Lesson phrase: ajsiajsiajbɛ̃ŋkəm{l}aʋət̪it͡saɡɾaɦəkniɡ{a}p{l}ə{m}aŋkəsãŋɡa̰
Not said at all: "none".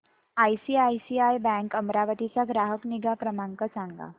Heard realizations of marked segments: ɾ, a, ɾ, m

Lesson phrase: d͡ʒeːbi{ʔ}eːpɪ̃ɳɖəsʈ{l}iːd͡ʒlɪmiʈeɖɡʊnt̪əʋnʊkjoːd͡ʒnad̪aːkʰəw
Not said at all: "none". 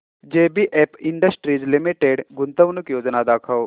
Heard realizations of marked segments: ʔ, ɾ

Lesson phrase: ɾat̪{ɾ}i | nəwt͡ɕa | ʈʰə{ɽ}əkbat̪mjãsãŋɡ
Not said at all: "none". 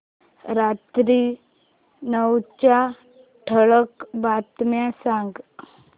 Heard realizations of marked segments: ɾ, ɭ

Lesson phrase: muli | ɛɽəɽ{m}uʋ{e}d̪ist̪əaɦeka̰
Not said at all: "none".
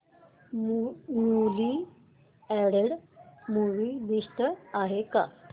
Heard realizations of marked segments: m, i

